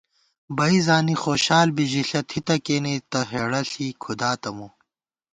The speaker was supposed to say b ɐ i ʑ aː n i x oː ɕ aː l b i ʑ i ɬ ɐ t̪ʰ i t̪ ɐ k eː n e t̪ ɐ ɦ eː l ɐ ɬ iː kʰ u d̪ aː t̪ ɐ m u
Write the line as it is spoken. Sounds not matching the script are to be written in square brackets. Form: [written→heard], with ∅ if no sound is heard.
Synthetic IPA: b ɐ i [ʑ→z] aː n i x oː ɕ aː l b i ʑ i ɬ ɐ t̪ʰ i t̪ ɐ k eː n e t̪ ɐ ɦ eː [l→ɽ] ɐ ɬ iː kʰ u d̪ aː t̪ ɐ m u